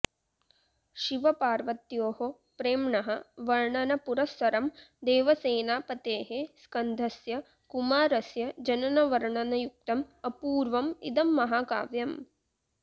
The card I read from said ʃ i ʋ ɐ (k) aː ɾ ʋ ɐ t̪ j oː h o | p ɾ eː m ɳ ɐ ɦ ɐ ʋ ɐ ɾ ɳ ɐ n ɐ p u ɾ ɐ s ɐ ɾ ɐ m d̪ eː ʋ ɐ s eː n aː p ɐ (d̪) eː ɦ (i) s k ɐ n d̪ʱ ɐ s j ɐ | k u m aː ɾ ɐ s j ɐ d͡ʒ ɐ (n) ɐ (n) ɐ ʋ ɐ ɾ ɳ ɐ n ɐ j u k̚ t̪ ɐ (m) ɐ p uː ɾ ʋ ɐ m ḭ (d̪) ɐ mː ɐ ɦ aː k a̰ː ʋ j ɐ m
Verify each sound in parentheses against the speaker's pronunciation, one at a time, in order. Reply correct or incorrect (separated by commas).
incorrect, incorrect, incorrect, correct, correct, correct, correct